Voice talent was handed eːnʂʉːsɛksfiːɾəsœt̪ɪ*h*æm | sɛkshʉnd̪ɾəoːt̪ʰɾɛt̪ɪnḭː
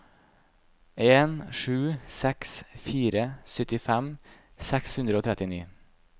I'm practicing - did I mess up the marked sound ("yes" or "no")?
yes